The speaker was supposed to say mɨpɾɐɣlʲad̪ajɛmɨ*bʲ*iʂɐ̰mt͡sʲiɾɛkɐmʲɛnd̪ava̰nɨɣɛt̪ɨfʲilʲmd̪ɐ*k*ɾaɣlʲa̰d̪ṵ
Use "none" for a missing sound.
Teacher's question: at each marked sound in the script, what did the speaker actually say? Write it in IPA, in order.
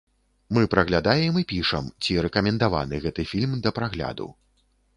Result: pʲ, p

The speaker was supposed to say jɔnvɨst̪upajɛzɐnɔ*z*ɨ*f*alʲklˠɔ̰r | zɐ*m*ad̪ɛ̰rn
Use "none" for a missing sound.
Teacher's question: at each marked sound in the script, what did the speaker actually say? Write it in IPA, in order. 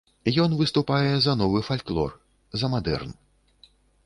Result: v, f, m

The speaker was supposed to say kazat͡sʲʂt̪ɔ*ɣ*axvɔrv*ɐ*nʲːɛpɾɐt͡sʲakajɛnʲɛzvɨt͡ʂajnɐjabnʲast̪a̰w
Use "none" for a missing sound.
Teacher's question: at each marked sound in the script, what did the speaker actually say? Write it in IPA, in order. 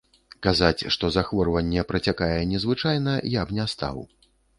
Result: z, ɐ

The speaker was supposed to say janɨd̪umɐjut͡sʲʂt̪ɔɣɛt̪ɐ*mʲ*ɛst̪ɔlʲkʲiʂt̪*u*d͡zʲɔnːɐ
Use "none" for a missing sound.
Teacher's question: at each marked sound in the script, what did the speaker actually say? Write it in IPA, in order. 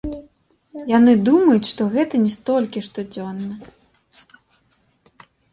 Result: nʲ, ɔ

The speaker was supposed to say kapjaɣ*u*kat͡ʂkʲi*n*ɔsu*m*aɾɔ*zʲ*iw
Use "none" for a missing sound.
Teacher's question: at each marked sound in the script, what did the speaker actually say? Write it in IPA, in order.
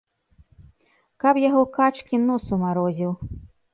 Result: ɔ, n, m, zʲ

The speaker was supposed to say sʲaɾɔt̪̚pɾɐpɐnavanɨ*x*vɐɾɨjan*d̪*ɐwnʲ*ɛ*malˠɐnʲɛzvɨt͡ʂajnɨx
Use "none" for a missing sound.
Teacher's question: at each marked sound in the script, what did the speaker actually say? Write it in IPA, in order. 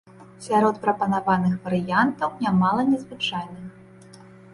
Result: x, t̪, a

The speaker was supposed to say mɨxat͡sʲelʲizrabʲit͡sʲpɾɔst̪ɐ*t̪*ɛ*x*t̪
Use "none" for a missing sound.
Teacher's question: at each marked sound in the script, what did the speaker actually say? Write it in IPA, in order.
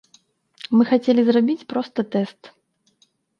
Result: t̪, s

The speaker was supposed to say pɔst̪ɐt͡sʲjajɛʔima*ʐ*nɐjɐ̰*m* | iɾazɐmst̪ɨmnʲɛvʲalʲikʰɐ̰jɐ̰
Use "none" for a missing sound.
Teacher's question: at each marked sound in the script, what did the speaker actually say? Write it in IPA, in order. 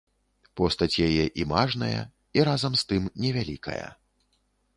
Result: ʐ, none

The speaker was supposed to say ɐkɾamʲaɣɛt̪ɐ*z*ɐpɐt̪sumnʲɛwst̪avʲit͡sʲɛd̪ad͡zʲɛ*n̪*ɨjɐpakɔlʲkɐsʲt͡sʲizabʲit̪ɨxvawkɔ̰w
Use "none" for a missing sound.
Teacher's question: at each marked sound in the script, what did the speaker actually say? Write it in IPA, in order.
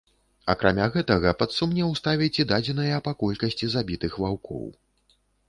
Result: ɣ, n̪

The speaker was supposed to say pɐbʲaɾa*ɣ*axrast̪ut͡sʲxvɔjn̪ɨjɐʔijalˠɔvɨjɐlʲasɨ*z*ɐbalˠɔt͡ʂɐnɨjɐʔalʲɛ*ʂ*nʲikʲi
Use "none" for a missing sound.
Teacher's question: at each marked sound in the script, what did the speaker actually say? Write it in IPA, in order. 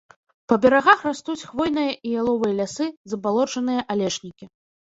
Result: ɣ, z, ʂ

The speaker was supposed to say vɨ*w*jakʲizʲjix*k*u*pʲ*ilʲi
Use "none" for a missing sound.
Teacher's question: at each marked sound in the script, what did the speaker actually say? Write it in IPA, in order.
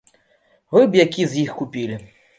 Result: b, k, pʲ

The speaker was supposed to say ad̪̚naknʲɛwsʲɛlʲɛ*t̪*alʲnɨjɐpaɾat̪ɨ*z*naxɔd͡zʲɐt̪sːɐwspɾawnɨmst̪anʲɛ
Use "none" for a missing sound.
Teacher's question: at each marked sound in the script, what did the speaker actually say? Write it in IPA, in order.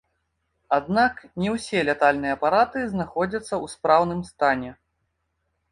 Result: t̪, z

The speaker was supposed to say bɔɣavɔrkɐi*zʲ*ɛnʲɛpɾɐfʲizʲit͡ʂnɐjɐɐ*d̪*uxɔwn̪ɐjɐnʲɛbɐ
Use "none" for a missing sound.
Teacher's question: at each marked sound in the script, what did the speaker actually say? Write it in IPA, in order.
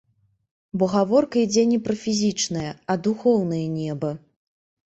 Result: d͡zʲ, d̪

